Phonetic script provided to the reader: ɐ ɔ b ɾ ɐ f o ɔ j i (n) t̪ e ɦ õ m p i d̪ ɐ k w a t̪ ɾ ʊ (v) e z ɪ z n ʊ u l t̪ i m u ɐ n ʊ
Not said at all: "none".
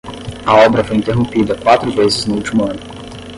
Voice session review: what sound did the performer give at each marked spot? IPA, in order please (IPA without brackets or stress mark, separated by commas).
n, v